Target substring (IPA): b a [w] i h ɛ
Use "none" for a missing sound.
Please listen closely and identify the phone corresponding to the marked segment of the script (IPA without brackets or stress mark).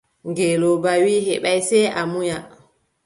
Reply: w